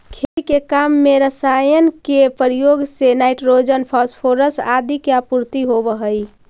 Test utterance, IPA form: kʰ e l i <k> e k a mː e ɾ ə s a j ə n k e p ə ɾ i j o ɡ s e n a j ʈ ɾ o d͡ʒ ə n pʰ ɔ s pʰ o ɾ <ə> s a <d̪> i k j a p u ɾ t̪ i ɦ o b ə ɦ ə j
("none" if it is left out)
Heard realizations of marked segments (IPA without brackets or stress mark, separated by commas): k, ə, d̪